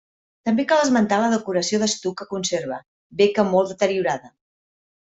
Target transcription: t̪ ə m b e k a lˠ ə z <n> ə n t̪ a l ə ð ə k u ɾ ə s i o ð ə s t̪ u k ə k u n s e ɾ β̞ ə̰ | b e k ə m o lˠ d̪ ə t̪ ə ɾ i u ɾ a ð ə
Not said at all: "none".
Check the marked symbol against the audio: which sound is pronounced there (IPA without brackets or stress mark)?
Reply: m